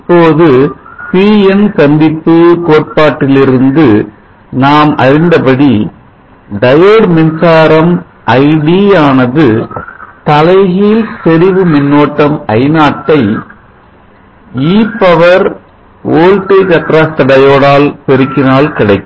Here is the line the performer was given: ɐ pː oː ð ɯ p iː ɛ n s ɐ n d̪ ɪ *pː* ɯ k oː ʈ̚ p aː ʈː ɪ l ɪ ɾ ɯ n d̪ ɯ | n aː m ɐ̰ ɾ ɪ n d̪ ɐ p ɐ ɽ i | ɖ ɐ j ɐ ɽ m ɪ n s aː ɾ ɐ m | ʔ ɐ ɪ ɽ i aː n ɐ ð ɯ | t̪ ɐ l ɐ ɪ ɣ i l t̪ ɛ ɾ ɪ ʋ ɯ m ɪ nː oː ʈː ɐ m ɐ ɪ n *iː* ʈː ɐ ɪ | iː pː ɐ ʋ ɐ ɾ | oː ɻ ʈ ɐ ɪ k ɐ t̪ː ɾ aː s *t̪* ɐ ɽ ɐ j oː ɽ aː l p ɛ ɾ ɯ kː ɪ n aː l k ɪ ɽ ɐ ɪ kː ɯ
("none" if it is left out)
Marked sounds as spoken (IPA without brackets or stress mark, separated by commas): pː, aː, t̪